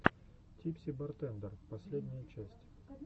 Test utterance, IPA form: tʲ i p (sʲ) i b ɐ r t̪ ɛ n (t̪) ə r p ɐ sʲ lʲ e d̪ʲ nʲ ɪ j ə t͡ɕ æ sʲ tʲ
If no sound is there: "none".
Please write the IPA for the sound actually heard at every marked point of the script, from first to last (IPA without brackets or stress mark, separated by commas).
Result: sʲ, d̪